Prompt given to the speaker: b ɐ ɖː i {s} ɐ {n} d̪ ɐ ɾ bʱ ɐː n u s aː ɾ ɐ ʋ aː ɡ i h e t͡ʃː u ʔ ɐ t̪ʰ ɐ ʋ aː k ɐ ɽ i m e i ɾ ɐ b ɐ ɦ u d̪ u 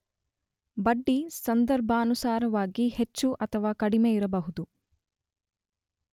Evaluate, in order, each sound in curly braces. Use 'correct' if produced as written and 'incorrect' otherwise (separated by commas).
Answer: correct, correct